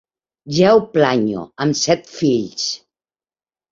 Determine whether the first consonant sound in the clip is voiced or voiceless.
voiced